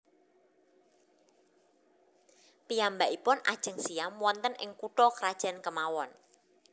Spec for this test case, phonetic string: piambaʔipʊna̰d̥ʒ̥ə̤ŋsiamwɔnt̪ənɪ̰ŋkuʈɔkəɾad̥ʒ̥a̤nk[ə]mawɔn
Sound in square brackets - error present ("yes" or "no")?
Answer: no